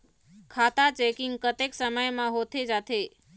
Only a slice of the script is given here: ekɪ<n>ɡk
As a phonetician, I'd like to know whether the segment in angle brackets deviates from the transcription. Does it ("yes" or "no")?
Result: yes